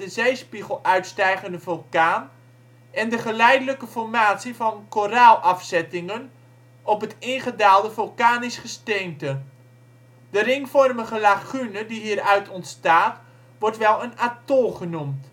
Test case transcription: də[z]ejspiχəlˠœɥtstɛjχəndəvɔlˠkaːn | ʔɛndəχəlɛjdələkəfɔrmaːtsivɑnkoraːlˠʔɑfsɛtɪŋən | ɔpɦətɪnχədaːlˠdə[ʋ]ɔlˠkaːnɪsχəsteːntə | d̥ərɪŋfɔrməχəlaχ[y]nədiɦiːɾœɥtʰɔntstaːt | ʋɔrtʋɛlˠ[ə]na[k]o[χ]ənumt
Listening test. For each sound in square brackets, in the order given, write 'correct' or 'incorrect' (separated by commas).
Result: correct, incorrect, correct, correct, incorrect, correct